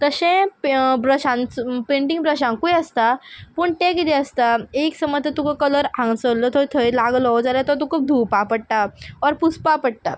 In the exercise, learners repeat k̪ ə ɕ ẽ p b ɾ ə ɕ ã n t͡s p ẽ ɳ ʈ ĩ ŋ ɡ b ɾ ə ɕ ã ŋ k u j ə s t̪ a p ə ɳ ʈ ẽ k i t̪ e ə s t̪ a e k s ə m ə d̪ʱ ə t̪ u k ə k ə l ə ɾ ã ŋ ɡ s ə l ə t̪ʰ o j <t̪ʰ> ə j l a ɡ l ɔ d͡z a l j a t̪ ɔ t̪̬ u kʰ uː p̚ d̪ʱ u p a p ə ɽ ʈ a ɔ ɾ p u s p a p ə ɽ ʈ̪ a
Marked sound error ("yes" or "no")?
no